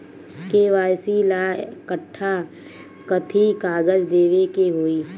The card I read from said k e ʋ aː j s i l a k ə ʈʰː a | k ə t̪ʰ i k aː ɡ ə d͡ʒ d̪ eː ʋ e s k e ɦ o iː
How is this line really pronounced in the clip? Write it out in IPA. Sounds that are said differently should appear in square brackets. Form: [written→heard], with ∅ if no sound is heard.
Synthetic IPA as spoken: k e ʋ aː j s i l a k ə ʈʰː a | k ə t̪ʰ i k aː ɡ ə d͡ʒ d̪ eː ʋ e [s→∅] k e ɦ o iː